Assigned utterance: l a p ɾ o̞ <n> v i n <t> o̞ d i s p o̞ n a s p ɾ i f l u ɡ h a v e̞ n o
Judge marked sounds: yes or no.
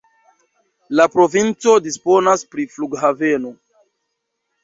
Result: no, no

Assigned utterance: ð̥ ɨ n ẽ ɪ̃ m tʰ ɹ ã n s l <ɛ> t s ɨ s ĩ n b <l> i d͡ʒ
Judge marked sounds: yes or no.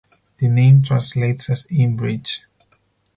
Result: no, no

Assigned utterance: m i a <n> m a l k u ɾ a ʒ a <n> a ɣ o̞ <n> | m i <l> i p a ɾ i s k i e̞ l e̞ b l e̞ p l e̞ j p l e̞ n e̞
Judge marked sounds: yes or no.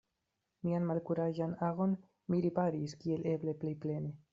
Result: yes, yes, yes, no

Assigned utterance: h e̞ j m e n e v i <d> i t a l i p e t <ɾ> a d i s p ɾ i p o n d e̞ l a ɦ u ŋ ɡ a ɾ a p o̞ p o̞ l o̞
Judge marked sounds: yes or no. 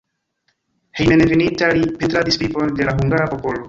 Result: no, yes

